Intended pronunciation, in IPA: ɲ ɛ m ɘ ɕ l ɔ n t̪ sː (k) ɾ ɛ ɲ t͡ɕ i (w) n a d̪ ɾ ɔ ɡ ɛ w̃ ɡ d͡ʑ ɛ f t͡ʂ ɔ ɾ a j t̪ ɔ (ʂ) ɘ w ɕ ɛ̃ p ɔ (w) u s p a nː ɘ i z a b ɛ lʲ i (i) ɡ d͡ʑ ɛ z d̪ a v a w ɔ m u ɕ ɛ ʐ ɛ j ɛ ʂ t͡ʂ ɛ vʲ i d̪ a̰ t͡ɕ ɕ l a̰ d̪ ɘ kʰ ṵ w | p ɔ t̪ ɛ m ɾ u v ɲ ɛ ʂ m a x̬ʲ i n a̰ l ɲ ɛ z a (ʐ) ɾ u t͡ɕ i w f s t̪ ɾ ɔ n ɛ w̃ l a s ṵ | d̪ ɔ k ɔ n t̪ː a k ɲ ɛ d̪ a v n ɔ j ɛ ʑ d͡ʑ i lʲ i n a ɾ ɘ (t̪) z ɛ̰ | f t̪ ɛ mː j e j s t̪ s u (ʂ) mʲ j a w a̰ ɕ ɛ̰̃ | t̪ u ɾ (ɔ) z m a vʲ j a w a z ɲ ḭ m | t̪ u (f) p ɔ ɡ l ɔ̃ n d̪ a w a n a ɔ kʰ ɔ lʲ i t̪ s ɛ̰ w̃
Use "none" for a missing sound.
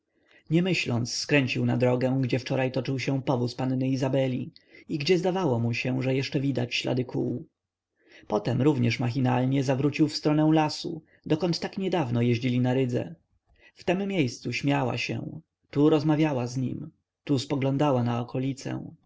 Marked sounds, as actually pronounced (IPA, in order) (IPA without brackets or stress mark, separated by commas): k, w, t͡ʂ, v, i, v, d̪, ɕ, ɔ, s